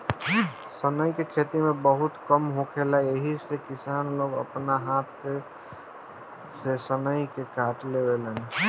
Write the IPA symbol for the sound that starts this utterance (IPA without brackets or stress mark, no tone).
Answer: s